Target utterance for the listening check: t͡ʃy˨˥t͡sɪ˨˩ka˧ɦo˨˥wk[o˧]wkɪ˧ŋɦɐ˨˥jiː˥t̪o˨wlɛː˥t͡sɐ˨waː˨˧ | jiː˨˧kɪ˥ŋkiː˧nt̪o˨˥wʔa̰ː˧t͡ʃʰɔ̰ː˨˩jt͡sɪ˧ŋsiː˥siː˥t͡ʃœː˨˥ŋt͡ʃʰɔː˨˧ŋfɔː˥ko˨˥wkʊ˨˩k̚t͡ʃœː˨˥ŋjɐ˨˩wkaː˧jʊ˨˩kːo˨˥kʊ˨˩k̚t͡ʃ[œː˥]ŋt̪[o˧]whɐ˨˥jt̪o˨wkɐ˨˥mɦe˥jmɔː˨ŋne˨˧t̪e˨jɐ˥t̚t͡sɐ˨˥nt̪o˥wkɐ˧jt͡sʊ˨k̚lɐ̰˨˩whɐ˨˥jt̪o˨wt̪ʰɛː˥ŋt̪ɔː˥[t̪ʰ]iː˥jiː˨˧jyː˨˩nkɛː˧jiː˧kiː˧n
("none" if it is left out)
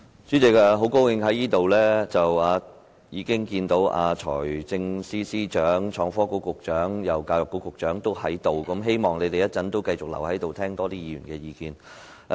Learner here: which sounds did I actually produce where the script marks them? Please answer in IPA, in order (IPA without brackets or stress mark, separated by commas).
o˥, œː˨˥, o˥, t̪